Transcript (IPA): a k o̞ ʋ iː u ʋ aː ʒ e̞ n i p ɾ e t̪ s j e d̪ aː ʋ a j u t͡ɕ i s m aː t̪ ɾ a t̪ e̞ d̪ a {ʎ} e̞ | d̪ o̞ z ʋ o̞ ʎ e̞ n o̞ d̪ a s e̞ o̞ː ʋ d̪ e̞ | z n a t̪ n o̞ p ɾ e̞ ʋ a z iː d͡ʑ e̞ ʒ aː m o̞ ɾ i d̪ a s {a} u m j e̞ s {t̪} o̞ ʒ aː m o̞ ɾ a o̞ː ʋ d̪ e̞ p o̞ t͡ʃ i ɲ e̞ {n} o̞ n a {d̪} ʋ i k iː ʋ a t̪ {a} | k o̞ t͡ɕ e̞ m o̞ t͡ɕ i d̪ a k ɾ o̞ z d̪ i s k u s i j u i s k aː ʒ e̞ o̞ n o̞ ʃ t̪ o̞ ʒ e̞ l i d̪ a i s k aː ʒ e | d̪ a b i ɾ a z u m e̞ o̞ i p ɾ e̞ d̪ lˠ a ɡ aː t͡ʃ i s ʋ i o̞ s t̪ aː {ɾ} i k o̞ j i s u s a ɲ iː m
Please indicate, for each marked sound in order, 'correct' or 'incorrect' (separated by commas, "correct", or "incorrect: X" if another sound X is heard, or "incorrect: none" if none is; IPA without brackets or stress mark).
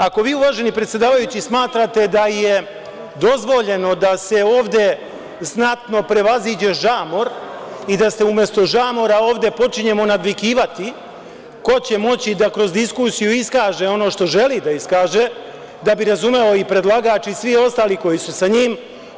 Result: incorrect: j, incorrect: e, correct, incorrect: m, correct, incorrect: i, incorrect: l